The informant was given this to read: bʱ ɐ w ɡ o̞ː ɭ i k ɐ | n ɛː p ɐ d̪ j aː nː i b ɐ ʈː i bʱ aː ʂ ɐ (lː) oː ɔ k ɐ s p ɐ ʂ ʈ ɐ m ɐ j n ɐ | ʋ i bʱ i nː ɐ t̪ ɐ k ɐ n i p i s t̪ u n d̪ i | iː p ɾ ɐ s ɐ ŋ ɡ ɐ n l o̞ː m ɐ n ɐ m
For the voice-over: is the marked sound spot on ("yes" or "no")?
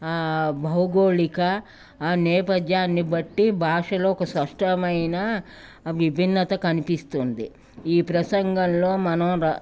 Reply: no